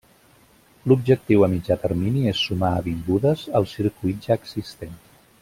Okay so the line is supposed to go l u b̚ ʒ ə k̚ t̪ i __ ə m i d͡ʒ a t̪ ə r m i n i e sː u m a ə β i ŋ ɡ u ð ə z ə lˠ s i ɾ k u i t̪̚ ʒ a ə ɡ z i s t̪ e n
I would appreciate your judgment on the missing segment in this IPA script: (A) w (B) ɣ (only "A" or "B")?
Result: A